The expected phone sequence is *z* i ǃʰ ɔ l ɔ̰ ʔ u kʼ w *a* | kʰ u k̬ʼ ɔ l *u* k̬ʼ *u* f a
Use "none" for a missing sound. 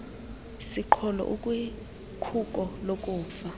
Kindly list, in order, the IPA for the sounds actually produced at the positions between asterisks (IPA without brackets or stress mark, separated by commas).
s, i, o, uː